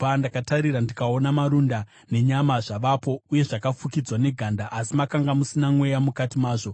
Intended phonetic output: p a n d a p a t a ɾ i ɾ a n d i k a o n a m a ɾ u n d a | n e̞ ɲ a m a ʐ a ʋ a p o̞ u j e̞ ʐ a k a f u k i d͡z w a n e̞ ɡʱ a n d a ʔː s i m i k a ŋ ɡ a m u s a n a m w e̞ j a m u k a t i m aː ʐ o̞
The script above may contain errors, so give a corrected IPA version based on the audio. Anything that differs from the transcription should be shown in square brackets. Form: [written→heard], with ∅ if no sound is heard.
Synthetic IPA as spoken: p a n d a [p→k] a t a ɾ i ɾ a n d i k a o n a m a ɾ u n d a | n e̞ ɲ a m a ʐ a ʋ a p o̞ u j e̞ ʐ a k a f u k i d͡z w a n e̞ ɡʱ a n d a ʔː s i m [i→a] k a ŋ ɡ a m u s [a→i] n a m w e̞ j a m u k a t i m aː ʐ o̞